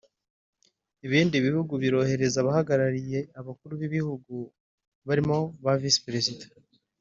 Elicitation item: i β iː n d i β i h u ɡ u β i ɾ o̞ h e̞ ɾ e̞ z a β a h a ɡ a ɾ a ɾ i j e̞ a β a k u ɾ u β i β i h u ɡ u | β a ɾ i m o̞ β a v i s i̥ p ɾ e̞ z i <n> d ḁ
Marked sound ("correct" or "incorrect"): incorrect